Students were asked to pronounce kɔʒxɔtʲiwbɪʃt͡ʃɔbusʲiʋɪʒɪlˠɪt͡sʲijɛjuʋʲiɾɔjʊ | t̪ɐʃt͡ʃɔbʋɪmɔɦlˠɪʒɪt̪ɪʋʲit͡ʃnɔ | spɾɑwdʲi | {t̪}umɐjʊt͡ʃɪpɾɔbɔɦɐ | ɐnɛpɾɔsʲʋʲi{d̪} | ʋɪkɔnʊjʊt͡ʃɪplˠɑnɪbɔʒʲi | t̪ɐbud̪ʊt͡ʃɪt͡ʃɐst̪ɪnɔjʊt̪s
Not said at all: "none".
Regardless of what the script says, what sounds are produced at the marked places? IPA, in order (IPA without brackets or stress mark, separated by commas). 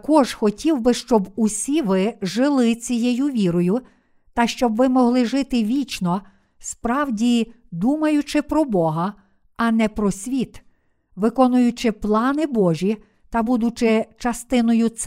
d̪, t̪